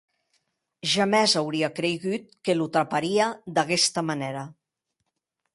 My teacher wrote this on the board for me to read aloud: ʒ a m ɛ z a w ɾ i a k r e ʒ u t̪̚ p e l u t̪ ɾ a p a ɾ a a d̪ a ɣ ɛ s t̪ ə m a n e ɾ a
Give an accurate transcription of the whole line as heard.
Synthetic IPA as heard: ʒ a m ɛ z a w ɾ i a k ɾ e ɣ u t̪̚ k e l u t̪ ɾ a p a ɾ i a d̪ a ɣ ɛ s t̪ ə m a n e ɾ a